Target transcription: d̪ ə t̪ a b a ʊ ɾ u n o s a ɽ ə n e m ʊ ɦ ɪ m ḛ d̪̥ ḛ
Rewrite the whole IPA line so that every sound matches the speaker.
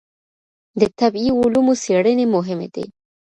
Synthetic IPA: d̪ ə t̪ a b i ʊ l u m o s e ɽ ə n e m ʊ ɦ ɪ m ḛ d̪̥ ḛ